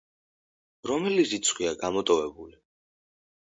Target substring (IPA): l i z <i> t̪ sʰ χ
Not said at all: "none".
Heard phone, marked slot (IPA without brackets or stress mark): i